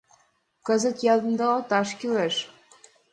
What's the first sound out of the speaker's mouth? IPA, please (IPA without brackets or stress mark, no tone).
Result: k